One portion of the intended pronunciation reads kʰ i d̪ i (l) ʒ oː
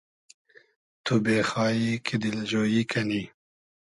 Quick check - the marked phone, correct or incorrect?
correct